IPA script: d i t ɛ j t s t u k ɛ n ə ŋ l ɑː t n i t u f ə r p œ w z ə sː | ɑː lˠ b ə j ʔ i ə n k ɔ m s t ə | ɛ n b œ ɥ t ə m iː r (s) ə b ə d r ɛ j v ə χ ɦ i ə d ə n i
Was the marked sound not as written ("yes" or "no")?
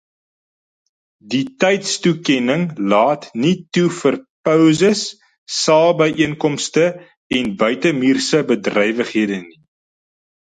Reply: no